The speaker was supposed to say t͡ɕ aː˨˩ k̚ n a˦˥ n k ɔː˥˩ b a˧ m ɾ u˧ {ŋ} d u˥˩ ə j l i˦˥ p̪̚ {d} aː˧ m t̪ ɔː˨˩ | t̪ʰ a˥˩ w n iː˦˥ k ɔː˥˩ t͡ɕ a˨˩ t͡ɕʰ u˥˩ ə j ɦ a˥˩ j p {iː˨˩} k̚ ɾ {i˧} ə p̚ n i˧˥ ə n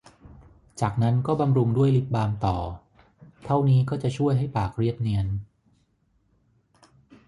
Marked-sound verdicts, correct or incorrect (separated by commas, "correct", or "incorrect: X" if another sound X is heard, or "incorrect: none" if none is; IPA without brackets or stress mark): correct, incorrect: b, incorrect: aː˨˩, incorrect: i˥˩